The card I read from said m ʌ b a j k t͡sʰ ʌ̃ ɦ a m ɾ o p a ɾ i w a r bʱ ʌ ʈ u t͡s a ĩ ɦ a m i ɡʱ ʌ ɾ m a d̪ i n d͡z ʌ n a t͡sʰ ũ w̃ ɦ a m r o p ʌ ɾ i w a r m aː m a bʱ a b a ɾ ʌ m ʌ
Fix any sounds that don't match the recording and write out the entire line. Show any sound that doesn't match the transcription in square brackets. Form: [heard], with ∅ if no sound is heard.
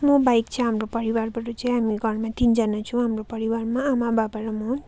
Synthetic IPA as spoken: m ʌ b a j k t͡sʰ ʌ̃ ɦ a m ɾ o p [ʌ] ɾ i w a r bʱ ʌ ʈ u t͡s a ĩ ɦ a m i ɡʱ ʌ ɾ m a [t̪] i n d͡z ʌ n a t͡sʰ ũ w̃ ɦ a m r o p ʌ ɾ i w a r m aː m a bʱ a b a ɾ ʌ m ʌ